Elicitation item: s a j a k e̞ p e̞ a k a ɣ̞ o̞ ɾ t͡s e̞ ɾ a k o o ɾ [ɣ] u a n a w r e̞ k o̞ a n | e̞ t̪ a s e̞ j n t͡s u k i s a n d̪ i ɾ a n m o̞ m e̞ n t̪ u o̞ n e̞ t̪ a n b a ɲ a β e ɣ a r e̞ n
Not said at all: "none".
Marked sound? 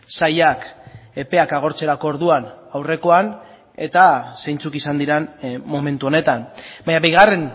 ð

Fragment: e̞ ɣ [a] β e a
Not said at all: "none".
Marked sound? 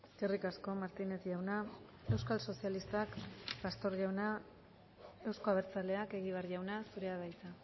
i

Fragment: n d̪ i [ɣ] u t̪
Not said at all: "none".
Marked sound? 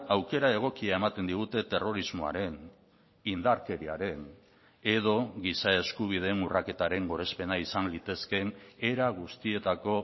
ɣ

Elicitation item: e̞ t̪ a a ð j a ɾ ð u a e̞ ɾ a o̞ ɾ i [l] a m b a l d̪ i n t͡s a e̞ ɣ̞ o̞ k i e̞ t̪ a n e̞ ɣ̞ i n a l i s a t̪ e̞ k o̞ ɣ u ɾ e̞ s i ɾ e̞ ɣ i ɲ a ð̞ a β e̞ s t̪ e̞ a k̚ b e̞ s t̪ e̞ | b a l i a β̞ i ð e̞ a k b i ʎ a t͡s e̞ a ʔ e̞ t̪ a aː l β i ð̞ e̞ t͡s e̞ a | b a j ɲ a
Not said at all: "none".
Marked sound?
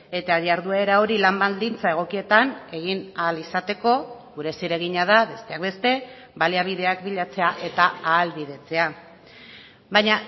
l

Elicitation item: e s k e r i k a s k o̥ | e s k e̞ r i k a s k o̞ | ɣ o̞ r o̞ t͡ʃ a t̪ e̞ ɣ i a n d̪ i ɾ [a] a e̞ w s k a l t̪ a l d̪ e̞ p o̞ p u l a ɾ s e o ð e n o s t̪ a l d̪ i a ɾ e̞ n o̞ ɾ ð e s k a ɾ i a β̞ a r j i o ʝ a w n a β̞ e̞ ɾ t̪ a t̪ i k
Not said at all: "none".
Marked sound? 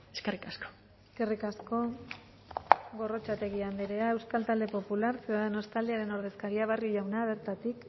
e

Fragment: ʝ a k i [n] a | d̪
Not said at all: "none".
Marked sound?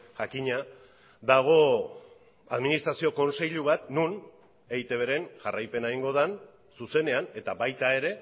ɲ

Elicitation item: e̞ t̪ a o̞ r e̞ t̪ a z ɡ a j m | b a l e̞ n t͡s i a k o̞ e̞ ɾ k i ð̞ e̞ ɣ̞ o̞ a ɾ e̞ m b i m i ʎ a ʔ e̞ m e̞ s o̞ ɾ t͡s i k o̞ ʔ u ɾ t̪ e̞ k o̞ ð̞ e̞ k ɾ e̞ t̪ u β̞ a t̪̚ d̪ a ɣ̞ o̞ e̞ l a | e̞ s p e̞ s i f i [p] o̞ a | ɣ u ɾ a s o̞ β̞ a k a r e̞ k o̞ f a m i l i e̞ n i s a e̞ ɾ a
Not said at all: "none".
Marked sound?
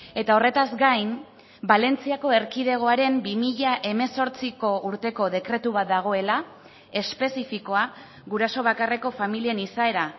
k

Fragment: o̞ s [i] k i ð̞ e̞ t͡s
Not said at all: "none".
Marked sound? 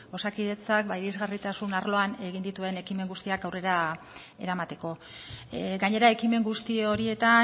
a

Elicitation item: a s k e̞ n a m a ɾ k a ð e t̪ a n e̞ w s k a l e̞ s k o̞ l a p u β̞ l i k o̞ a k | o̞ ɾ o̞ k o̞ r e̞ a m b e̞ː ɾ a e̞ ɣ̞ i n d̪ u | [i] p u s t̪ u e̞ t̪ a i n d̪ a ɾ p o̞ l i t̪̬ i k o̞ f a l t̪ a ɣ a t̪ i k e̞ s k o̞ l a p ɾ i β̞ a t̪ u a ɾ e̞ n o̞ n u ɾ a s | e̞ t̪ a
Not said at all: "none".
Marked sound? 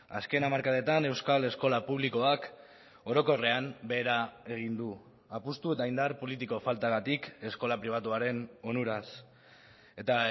a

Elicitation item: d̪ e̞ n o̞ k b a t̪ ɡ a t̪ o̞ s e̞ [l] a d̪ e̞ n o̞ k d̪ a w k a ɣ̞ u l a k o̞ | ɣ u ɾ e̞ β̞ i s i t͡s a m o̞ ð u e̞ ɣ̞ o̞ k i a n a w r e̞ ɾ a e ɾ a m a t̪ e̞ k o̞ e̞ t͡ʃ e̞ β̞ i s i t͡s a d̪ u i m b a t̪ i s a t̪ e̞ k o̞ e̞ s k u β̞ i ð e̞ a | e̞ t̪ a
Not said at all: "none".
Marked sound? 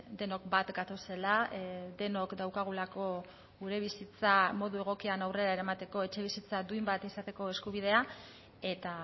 l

